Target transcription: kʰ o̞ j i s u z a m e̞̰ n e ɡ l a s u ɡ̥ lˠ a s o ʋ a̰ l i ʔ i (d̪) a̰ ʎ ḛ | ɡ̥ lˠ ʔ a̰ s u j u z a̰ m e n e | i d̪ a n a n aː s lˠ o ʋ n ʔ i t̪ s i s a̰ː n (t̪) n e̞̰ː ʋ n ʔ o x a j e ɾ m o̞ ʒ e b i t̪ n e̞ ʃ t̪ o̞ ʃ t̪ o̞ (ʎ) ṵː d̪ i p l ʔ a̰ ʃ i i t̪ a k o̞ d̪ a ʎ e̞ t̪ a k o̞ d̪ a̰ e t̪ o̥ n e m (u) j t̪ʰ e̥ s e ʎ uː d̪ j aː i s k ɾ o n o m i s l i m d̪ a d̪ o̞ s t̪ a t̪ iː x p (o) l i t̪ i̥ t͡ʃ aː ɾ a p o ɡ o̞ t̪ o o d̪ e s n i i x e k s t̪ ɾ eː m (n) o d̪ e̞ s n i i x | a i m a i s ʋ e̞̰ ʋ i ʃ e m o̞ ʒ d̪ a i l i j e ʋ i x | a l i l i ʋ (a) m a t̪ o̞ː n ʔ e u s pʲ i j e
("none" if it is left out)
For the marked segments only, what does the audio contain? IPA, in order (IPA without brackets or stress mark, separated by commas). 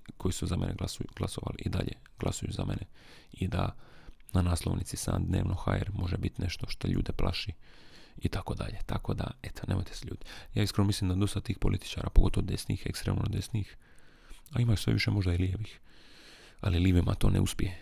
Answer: d̪, d̪, ʎ, o, o, n, i